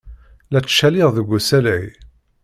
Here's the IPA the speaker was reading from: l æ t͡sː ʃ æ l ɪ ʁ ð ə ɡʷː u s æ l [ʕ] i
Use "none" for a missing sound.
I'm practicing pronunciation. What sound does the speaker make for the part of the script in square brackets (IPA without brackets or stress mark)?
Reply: ʕ